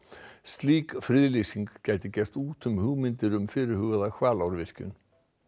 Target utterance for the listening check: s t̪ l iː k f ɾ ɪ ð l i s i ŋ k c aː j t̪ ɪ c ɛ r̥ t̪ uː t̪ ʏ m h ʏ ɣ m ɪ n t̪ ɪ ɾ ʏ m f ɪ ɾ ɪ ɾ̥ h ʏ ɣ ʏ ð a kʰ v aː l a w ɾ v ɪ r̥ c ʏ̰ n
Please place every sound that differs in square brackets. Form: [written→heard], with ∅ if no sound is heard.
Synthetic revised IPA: s t̪ l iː k f ɾ ɪ ð l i s i ŋ k c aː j t̪ ɪ c ɛ r̥ t̪ uː t̪ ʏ m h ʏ ɣ m ɪ n t̪ ɪ ɾ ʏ m f ɪ ɾ ɪ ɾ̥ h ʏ ɣ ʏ ð a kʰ v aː l a w ɾ v ɪ r̥ c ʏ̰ n